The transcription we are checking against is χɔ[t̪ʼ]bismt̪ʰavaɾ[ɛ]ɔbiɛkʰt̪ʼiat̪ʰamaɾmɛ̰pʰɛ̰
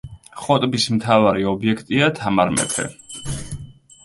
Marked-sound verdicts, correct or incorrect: correct, incorrect: i

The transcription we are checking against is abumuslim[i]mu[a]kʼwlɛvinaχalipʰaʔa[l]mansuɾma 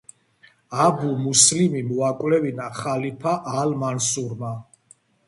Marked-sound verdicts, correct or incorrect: correct, correct, correct

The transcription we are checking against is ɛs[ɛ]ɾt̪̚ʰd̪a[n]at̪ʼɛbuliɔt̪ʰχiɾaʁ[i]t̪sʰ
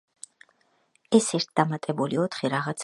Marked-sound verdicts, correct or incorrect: correct, incorrect: m, incorrect: a

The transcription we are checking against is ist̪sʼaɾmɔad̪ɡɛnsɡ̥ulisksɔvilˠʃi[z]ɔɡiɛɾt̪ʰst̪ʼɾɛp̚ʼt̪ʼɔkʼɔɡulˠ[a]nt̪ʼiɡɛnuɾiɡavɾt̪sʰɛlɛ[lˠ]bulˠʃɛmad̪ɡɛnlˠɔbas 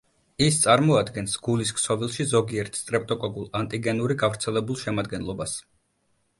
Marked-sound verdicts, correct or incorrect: correct, correct, incorrect: none

